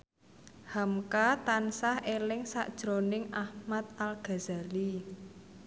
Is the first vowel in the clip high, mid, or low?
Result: low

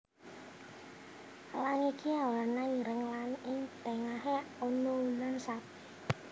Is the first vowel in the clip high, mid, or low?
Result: low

